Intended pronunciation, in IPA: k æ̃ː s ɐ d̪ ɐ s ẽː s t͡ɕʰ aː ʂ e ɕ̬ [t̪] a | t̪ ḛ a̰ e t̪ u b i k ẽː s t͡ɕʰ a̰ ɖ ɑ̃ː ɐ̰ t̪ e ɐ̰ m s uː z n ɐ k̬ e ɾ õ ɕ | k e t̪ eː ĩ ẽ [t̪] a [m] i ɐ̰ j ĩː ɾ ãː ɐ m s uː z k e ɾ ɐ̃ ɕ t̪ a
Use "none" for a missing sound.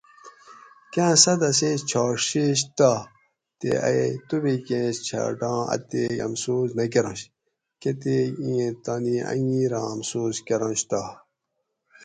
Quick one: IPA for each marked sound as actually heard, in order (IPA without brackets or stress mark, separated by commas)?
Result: t̪, t̪, n